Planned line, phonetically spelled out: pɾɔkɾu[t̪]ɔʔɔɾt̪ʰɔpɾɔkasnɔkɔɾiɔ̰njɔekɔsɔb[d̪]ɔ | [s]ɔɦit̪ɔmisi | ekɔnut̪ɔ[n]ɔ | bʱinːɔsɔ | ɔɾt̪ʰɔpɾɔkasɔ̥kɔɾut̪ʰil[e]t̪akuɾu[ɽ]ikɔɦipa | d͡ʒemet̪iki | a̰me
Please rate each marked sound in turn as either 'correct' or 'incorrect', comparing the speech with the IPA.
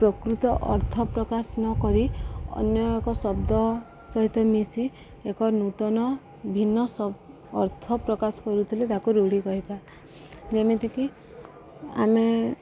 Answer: correct, correct, correct, correct, correct, correct

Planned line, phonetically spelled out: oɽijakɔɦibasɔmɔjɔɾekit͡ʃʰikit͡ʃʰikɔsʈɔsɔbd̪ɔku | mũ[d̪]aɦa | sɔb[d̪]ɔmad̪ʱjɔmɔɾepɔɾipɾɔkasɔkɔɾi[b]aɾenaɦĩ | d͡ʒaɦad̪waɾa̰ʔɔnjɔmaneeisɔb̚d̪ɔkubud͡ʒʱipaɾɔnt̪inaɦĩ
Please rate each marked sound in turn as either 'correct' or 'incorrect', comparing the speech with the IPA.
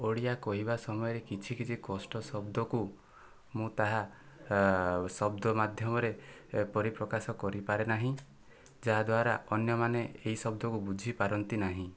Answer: incorrect, correct, incorrect

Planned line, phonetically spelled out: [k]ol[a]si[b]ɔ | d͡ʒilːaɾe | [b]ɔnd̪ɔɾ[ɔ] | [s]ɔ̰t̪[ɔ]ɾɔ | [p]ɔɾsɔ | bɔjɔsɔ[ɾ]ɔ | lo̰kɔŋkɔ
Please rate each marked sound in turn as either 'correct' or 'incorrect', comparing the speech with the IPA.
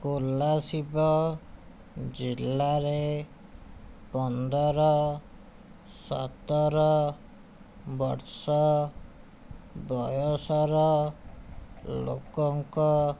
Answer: correct, correct, correct, incorrect, correct, correct, correct, incorrect, correct

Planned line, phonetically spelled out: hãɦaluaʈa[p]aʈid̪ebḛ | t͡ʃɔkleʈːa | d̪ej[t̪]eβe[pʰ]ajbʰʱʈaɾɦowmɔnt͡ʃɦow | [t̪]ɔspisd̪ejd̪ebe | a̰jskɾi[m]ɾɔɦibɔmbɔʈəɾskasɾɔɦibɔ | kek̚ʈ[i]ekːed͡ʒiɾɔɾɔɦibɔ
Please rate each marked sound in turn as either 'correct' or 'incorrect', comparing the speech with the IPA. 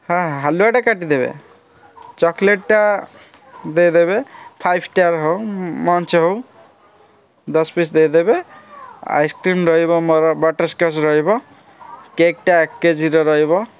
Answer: incorrect, incorrect, correct, incorrect, correct, incorrect

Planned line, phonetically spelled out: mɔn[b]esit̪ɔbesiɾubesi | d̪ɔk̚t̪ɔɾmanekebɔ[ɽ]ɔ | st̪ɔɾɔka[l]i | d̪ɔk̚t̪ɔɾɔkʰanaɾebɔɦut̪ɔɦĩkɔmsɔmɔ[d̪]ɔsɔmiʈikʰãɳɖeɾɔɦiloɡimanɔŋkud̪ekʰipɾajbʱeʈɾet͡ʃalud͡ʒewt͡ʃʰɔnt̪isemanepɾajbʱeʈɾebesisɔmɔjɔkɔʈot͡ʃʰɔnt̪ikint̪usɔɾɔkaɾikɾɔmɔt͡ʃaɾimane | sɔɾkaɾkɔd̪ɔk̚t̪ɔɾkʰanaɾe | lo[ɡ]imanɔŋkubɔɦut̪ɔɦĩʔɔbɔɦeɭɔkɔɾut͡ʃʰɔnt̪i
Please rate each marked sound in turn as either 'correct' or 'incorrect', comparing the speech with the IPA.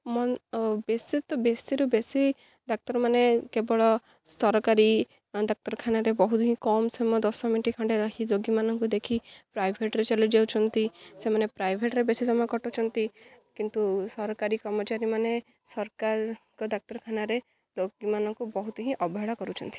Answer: correct, incorrect, incorrect, correct, correct

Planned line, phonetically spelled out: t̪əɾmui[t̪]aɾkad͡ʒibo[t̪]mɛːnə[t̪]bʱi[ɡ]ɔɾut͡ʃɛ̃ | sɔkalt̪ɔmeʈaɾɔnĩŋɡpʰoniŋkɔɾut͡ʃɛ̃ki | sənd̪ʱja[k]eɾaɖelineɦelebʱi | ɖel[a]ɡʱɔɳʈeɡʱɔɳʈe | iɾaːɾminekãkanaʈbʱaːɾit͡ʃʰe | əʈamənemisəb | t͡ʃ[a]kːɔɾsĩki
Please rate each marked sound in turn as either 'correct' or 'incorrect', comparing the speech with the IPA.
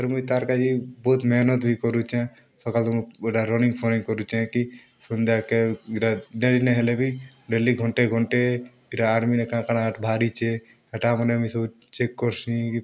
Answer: correct, correct, correct, incorrect, correct, incorrect, incorrect

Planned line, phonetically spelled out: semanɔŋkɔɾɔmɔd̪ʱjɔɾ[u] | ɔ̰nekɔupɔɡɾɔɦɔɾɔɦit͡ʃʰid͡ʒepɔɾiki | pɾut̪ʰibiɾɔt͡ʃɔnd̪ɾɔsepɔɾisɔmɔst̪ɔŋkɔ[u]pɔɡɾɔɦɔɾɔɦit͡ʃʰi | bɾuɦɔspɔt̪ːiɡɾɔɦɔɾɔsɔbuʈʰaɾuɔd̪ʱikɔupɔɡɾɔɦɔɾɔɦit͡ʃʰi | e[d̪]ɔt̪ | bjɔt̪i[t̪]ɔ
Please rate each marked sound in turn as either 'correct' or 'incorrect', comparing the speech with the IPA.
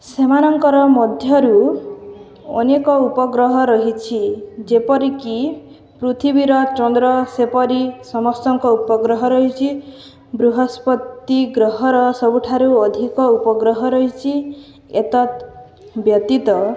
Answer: correct, correct, incorrect, correct

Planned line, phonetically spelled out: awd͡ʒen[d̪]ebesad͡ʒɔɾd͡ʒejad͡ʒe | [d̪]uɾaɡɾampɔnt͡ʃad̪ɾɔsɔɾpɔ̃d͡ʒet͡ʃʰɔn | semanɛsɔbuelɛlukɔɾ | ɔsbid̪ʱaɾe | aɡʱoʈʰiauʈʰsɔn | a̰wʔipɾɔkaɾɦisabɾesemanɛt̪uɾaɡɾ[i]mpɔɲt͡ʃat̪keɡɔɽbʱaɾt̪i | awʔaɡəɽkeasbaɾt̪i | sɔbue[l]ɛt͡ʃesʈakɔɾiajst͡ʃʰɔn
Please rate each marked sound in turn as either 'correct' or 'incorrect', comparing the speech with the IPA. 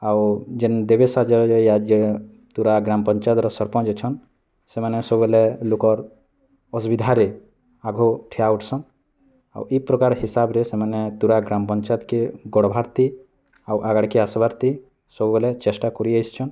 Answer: correct, incorrect, incorrect, correct

